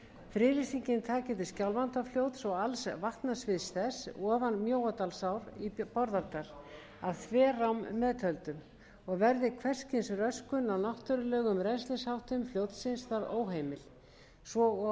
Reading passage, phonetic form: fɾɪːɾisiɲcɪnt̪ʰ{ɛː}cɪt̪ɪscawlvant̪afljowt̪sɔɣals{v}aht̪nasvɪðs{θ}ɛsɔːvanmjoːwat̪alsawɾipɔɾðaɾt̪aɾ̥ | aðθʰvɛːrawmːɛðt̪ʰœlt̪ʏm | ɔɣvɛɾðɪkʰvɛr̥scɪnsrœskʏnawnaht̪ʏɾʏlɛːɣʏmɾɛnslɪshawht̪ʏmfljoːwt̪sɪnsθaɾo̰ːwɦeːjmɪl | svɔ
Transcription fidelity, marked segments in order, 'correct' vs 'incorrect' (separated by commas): incorrect, correct, correct